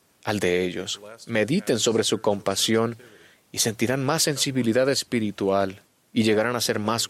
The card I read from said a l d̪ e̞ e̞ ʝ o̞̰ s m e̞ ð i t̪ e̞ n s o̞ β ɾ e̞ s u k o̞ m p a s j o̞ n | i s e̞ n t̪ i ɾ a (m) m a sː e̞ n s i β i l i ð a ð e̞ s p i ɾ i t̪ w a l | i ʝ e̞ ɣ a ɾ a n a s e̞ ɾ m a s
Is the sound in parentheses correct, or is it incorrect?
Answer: incorrect